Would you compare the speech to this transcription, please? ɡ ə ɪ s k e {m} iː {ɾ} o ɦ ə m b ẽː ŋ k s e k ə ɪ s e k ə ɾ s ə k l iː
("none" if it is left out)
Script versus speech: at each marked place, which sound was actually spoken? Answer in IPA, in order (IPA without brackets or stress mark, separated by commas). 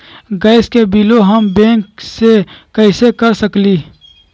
b, l